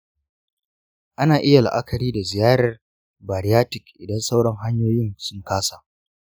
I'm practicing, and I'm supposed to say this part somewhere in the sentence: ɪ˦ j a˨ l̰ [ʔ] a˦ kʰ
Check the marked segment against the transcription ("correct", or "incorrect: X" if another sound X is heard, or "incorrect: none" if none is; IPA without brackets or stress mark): correct